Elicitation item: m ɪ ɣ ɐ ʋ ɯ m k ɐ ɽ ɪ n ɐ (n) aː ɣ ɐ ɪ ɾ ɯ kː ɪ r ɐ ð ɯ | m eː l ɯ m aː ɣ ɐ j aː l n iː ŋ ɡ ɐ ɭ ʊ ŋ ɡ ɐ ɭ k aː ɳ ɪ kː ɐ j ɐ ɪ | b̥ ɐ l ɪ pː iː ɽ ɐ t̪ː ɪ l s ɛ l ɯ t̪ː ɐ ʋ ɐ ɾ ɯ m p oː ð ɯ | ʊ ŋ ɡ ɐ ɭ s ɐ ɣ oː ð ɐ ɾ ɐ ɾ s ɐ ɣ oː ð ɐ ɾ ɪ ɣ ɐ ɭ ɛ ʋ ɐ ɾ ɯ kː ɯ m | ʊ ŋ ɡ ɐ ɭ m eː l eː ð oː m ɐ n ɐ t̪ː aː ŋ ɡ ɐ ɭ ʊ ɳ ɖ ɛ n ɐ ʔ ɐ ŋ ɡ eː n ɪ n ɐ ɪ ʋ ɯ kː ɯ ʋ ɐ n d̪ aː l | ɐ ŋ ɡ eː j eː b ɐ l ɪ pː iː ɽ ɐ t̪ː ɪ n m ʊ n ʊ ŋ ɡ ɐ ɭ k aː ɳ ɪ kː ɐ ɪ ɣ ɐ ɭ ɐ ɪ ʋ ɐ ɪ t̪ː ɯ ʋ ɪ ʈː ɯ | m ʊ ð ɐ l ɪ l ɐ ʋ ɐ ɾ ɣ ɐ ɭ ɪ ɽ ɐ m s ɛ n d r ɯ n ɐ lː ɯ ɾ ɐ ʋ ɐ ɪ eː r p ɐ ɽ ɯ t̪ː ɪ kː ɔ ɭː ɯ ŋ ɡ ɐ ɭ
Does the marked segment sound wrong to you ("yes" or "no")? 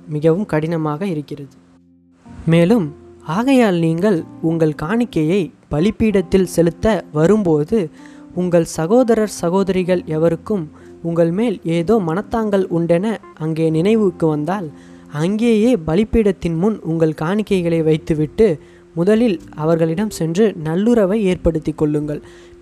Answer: yes